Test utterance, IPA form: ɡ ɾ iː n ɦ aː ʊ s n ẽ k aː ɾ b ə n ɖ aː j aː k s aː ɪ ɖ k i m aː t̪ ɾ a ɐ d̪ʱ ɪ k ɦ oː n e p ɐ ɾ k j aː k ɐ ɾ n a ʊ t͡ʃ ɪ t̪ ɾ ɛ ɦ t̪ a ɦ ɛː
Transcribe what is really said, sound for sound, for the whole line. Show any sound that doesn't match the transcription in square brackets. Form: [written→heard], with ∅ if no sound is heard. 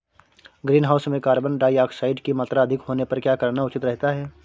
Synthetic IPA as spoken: ɡ ɾ iː n ɦ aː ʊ s [n→m] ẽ k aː ɾ b ə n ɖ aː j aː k s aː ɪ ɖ k i m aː t̪ ɾ a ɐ d̪ʱ ɪ k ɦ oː n e p ɐ ɾ k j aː k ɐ ɾ n a ʊ t͡ʃ ɪ t̪ ɾ ɛ ɦ t̪ a ɦ ɛː